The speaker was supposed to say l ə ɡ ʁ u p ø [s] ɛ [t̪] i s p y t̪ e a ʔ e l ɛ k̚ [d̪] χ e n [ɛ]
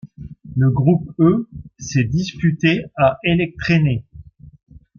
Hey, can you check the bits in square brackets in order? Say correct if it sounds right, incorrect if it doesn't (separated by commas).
correct, incorrect, incorrect, incorrect